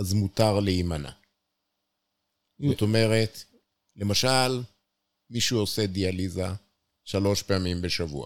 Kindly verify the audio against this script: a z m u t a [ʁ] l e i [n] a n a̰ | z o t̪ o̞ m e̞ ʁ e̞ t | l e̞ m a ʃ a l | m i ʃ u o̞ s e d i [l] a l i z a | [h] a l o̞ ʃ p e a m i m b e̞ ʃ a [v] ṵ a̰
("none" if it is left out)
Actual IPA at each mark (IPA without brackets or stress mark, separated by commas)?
ʁ, m, none, ʃ, v